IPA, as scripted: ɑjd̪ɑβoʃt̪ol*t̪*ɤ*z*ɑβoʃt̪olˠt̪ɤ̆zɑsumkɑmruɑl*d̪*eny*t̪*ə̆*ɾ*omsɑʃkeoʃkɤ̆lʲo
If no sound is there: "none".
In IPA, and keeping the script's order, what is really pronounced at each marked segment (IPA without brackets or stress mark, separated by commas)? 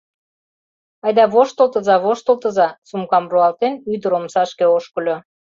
t̪, z, t̪, d̪, ɾ